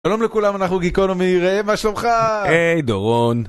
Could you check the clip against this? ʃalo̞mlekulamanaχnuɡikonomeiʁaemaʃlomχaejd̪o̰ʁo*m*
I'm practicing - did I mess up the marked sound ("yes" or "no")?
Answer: yes